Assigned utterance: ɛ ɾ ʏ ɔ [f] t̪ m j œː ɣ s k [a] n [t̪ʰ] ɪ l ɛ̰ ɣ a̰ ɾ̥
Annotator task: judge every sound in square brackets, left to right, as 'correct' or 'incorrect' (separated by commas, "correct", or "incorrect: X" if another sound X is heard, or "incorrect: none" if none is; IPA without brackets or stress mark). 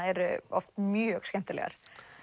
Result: correct, incorrect: ɛ, incorrect: t̪